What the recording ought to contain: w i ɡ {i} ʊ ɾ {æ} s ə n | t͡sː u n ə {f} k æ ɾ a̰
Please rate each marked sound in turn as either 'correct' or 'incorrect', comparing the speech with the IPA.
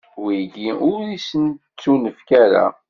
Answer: correct, incorrect, correct

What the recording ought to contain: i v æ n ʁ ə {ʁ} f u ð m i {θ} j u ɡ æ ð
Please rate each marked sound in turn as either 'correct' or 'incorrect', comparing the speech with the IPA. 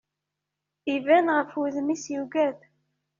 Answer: incorrect, incorrect

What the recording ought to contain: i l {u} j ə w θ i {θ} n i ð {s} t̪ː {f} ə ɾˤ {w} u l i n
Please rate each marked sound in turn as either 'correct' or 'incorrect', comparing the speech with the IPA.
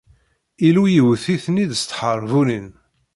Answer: correct, correct, correct, incorrect, incorrect

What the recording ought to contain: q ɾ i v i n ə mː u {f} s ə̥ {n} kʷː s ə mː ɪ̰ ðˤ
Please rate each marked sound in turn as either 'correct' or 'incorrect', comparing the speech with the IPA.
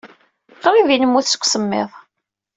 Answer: incorrect, incorrect

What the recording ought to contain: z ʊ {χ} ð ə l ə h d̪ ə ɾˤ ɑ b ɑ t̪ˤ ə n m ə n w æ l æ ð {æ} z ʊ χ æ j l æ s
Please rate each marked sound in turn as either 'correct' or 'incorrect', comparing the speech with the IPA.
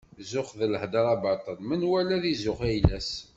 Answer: correct, incorrect

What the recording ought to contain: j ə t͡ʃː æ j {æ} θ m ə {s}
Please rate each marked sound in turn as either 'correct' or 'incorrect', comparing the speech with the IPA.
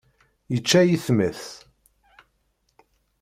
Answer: incorrect, incorrect

